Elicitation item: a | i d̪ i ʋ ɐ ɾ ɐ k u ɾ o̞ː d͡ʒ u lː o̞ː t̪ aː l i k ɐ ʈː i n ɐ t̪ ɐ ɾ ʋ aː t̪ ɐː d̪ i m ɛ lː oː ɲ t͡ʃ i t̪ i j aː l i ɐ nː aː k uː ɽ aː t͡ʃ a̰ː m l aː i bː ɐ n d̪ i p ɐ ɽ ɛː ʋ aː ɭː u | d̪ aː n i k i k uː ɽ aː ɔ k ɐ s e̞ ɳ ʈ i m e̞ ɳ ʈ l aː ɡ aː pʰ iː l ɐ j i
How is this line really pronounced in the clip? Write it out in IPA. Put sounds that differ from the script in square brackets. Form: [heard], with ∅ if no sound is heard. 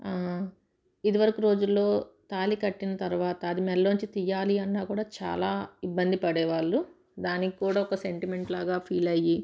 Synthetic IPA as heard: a | i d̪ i ʋ ɐ ɾ ɐ k u ɾ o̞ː d͡ʒ u lː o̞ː t̪ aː l i k ɐ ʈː i n ɐ t̪ ɐ ɾ ʋ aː t̪ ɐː d̪ i m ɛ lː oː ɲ t͡ʃ i t̪ i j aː l i ɐ nː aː k uː ɽ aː t͡ʃ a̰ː [∅] l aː i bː ɐ n d̪ i p ɐ ɽ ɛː ʋ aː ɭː u | d̪ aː n i k i k uː ɽ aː ɔ k ɐ s e̞ ɳ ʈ i m e̞ ɳ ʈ l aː ɡ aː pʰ iː l ɐ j i